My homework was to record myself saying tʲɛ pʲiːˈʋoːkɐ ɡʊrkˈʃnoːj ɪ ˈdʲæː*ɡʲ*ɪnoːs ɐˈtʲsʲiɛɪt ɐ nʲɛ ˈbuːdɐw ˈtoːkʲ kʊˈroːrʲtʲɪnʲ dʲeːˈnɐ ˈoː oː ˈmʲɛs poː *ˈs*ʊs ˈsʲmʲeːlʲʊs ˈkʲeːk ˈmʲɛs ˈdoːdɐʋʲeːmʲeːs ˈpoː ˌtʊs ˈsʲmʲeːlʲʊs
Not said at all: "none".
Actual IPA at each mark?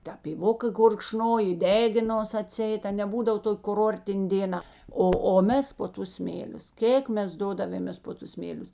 ɡʲ, t

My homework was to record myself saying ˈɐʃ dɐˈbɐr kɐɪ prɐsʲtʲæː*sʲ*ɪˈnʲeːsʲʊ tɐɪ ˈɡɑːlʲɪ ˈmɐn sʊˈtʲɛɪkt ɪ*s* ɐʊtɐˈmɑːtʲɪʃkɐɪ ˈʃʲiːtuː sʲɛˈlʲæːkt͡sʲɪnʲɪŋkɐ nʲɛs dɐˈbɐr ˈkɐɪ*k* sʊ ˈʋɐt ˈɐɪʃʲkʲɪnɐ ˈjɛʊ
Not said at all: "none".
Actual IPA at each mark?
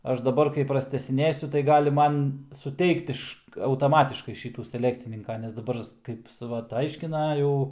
sʲ, ʃ, p

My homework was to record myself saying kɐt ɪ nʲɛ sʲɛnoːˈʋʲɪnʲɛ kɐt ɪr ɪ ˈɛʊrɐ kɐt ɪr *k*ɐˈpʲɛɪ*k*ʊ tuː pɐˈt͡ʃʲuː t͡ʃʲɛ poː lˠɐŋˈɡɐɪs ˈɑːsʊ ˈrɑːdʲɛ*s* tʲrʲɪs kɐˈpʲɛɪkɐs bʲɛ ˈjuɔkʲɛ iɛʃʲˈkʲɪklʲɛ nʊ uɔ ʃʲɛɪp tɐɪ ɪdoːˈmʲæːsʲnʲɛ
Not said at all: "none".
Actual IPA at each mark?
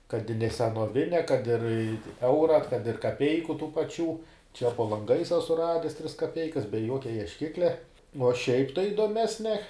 k, k, s

